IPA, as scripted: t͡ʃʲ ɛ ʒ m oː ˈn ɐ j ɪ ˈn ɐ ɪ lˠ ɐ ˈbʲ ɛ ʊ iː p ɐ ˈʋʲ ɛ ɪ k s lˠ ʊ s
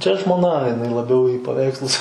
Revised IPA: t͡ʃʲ ɛ ʒ m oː ˈn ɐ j ɪ ˈn ɐ ɪ lˠ ɐ ˈbʲ ɛ ʊ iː p ɐ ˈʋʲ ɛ ɪ k s lˠ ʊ s